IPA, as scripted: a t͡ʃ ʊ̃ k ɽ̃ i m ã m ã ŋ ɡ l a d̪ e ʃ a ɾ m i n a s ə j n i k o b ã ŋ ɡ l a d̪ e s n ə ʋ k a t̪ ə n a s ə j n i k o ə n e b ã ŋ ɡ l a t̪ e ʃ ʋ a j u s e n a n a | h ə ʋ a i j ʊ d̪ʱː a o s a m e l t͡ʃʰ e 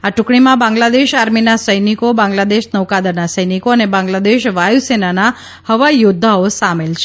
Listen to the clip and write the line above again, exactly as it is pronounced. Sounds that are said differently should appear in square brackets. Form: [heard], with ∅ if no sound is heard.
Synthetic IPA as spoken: a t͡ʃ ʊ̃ k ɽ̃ i m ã [b] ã ŋ ɡ l a d̪ e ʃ a ɾ m i n a s ə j n i k o b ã ŋ ɡ l a d̪ e [ʃ] n ə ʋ k a [d̪] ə n a s ə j n i k o ə n e b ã ŋ ɡ l a [d̪] e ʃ ʋ a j u s e n a n a | h ə ʋ a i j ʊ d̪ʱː a o s a m e l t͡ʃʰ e